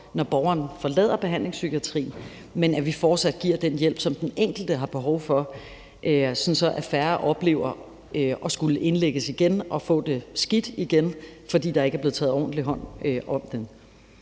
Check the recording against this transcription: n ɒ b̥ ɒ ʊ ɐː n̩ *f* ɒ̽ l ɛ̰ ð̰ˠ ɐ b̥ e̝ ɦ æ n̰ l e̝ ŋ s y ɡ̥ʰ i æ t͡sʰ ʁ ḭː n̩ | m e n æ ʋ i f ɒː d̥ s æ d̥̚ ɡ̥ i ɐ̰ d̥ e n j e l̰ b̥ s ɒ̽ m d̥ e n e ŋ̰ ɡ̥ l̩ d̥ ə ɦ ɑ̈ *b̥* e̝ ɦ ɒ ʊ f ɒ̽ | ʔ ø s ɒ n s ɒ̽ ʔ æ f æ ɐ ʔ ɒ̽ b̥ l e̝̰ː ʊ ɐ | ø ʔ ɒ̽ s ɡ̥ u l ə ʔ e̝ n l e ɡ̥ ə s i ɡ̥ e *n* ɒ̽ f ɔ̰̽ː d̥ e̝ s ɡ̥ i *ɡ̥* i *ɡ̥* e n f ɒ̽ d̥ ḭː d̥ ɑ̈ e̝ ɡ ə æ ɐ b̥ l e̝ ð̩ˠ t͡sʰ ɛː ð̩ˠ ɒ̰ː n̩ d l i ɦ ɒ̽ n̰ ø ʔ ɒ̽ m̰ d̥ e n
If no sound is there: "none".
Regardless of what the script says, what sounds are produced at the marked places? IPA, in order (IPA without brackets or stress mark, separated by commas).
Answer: f, b̥, n, d̥, ɡ̥